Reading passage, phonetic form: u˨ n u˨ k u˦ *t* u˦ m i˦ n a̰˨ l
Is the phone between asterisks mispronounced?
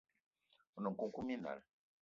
yes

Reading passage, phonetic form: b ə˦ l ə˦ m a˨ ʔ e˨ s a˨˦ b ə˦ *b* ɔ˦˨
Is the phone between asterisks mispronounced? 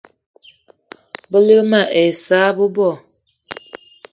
no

